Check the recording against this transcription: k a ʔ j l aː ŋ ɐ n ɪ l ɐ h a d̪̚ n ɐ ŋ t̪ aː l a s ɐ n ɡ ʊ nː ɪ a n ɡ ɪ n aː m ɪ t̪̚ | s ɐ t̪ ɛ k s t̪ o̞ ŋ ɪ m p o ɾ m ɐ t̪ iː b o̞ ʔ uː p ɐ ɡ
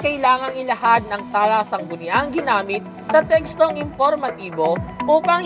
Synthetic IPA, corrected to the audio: k ɐ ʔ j l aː ŋ ɐ ŋ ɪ l ɐ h a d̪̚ n ɐ ŋ t̪ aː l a s ɐ ŋ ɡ ʊ n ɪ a ŋ ɡ ɪ n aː m ɪ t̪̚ | s ɐ t̪ ɛ k s t̪ o̞ ŋ ɪ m p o ɾ m ɐ t̪ iː b o̞ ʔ uː p ɐ ŋ